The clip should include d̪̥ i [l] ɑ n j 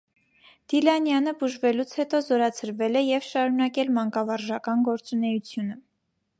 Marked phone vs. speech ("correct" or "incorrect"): correct